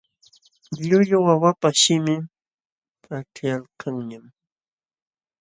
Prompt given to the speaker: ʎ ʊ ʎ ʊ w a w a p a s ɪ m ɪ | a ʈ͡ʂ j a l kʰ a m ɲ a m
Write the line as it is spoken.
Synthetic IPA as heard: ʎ ʊ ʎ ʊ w a w a p a ʃ ɪ m ɪ | a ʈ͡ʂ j a l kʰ a ŋ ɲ a m